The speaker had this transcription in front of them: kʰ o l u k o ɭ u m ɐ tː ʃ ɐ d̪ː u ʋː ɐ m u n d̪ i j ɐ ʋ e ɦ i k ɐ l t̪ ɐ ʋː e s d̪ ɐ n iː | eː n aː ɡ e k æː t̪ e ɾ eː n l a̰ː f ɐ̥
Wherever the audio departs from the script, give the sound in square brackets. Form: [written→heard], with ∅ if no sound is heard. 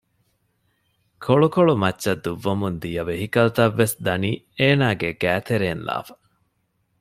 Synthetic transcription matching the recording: kʰ o [l→ɭ] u k o ɭ u m ɐ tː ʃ ɐ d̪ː u ʋː ɐ m u n d̪ i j ɐ ʋ e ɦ i k ɐ l t̪ ɐ ʋː e s d̪ ɐ n iː | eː n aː ɡ e [k→ɡ] æː t̪ e ɾ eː n l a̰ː f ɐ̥